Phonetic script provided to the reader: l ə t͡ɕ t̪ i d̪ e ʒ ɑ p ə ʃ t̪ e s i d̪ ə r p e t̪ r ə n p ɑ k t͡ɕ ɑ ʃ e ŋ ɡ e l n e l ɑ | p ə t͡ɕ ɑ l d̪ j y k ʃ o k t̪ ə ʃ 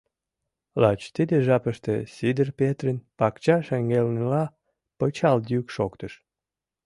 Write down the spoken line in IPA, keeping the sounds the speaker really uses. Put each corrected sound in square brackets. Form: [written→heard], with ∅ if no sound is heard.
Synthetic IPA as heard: l [ə→ɑ] t͡ɕ t̪ i d̪ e ʒ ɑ p ə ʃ t̪ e s i d̪ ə r p e t̪ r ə n p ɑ k t͡ɕ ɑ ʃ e ŋ ɡ e l n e l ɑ | p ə t͡ɕ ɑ l d̪ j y k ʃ o k t̪ ə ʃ